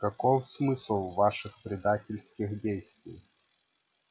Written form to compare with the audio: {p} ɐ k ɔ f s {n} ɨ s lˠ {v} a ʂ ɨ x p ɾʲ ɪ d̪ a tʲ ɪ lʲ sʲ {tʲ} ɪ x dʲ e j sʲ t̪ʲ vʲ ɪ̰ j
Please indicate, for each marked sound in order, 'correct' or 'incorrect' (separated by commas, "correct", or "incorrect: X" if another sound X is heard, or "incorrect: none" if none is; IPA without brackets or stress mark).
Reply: incorrect: k, incorrect: m, correct, incorrect: kʲ